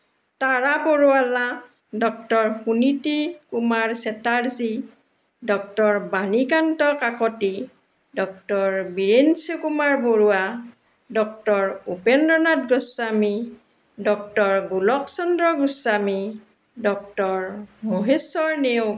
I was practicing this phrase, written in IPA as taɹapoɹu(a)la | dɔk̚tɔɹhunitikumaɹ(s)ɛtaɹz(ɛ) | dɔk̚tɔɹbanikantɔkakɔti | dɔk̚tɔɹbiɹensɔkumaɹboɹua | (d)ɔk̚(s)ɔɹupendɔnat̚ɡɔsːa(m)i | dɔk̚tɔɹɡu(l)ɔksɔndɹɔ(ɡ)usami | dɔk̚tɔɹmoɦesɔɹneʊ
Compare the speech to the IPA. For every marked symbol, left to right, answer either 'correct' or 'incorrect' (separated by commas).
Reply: correct, correct, incorrect, correct, incorrect, correct, correct, correct